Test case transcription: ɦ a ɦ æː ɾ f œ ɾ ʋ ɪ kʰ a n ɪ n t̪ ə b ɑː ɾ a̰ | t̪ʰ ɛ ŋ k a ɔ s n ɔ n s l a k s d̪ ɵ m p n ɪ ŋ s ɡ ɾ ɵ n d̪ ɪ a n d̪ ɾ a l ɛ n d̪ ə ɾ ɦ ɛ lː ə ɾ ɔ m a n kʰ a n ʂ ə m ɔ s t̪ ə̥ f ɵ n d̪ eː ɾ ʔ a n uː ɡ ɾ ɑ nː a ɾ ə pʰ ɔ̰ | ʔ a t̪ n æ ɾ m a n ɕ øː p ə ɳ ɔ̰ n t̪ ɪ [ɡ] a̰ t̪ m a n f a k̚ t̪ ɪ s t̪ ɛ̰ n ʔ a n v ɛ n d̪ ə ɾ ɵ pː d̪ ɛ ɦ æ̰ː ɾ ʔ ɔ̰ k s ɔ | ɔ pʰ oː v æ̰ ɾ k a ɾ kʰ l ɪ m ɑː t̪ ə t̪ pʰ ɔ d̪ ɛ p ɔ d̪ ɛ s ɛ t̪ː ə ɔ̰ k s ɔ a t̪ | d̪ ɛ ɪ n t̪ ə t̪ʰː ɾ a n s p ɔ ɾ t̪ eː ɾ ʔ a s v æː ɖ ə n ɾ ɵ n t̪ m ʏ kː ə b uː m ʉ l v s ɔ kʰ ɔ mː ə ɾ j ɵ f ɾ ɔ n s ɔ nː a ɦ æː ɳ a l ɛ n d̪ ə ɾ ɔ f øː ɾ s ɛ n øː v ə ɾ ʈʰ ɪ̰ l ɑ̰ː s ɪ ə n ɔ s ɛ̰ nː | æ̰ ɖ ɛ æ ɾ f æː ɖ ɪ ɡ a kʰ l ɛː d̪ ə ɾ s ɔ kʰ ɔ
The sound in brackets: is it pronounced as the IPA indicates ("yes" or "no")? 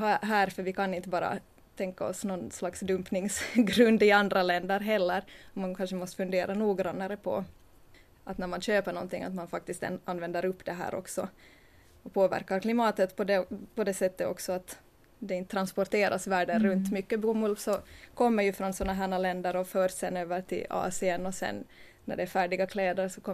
no